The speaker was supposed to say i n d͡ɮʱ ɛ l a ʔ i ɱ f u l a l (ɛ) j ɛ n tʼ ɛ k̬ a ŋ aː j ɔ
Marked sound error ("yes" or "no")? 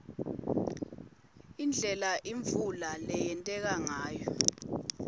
no